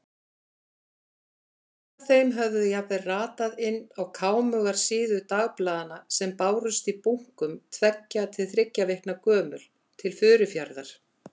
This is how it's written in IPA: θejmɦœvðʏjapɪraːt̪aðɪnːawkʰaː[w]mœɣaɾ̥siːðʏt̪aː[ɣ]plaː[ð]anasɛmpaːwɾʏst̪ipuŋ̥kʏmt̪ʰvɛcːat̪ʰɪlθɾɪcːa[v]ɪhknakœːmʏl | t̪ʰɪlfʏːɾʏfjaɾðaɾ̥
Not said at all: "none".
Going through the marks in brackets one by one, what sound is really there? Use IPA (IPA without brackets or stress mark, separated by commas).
w, ɣ, ð, v